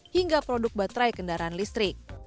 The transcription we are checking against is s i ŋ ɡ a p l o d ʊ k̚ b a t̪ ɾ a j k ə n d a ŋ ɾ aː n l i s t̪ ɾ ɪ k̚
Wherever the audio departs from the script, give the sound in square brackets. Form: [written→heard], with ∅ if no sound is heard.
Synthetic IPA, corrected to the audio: [s→h] i ŋ ɡ a p [l→ɾ] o d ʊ k̚ b a t̪ ɾ a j k ə n d a [ŋ→∅] ɾ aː n l i s t̪ ɾ ɪ k̚